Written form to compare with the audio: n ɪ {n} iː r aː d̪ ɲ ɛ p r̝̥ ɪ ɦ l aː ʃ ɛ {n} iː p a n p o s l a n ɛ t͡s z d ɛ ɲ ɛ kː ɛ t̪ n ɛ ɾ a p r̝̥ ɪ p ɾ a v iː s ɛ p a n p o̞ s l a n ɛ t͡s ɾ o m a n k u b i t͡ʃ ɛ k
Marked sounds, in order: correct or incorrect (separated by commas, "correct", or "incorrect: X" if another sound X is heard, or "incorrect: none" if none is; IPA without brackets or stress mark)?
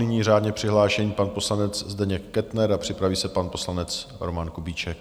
incorrect: ɲ, incorrect: ɲ